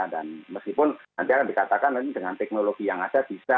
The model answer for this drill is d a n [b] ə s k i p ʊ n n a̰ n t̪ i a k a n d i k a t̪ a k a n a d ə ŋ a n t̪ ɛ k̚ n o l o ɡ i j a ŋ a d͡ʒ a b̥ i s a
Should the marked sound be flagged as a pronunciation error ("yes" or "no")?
yes